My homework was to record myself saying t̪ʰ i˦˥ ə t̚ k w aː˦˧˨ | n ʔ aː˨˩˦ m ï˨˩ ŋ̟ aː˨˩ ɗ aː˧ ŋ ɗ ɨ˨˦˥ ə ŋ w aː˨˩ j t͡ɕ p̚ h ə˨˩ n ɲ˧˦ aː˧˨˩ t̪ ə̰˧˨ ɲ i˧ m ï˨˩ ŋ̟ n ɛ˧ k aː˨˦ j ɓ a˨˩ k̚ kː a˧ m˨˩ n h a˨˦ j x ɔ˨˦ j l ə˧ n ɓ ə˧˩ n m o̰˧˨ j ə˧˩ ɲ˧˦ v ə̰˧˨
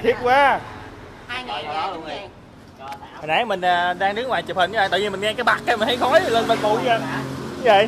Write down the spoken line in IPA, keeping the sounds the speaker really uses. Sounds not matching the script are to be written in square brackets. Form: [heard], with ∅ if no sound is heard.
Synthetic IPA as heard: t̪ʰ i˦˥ ə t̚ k w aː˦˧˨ | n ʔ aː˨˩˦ m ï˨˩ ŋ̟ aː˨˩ ɗ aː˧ ŋ ɗ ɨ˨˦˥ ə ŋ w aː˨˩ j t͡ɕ p̚ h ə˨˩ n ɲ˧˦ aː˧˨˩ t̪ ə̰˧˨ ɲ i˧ m ï˨˩ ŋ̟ [ŋ] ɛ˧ k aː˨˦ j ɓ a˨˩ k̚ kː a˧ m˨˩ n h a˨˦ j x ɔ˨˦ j l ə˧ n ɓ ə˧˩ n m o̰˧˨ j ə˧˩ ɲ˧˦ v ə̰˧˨